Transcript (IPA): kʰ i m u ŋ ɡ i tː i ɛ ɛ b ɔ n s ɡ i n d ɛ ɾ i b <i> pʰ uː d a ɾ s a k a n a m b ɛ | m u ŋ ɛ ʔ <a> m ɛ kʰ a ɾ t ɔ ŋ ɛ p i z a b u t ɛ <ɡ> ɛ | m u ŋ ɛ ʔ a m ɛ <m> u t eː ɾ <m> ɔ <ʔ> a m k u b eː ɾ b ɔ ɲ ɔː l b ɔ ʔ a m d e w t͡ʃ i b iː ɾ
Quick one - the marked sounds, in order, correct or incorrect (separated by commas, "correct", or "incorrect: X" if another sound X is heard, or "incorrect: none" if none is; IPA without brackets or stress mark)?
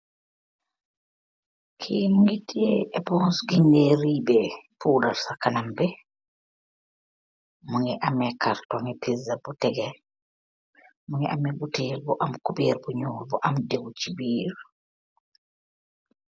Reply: incorrect: ɛ, correct, correct, incorrect: b, incorrect: b, correct